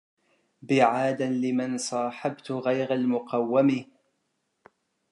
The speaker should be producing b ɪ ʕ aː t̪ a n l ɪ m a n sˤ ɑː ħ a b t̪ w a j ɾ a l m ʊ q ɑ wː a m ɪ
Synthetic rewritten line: b ɪ ʕ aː d̪ a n l ɪ m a n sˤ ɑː ħ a b t̪ ɣ a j ɾ a l m ʊ q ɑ wː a m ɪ